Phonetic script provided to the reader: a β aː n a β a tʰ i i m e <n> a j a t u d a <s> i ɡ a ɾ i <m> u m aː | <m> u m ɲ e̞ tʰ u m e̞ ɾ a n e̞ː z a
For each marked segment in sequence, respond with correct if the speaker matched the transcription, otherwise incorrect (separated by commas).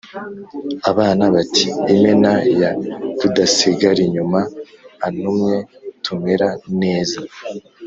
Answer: correct, correct, incorrect, incorrect